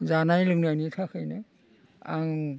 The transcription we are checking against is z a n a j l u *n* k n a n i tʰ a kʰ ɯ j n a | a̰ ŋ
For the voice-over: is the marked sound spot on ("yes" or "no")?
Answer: no